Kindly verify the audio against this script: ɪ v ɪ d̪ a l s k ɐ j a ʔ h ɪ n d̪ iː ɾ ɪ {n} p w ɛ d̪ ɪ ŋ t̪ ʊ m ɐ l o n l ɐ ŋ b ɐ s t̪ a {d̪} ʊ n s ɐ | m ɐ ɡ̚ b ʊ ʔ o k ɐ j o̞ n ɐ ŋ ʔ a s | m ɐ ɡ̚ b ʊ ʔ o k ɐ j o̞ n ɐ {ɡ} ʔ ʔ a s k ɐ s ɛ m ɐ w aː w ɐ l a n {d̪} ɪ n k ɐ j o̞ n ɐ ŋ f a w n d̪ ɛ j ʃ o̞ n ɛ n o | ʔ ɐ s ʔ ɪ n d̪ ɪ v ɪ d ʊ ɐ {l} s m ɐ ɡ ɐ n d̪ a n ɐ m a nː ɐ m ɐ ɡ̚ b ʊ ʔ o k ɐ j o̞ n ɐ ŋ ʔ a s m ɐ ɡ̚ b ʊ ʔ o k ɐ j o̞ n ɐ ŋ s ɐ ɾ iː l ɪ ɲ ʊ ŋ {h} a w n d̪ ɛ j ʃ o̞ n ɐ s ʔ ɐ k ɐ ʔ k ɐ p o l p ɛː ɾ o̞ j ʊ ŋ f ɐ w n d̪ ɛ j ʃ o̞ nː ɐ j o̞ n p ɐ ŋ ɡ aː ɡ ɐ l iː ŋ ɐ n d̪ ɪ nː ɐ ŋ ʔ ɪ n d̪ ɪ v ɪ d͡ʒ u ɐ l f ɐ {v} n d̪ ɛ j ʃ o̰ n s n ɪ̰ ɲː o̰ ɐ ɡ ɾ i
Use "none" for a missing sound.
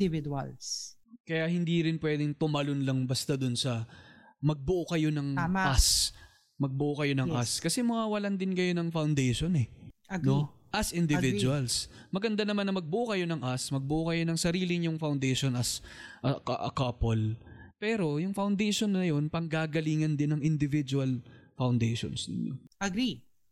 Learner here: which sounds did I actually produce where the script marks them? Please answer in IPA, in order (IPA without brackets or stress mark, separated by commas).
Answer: n, d̪, ŋ, d̪, l, f, w